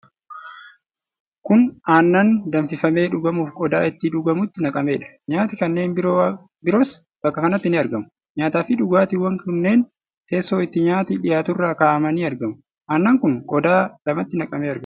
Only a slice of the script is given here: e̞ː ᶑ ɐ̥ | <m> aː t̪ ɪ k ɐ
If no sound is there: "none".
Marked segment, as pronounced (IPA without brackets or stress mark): ɲ